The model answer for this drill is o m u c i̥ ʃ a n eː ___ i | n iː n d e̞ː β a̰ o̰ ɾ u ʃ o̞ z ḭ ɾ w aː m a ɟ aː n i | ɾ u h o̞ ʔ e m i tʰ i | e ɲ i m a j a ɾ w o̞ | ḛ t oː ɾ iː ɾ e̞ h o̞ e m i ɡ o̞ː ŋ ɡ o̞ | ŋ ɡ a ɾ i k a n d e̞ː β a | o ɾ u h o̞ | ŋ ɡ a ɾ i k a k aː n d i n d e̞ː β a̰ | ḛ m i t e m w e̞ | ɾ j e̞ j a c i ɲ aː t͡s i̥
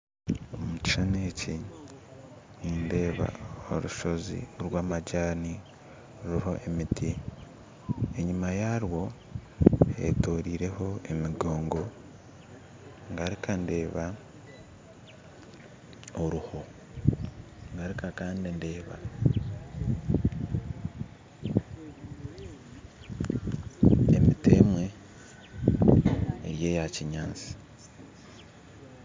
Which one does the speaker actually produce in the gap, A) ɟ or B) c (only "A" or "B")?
B